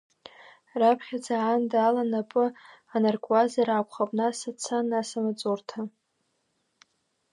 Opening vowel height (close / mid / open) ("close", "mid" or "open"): open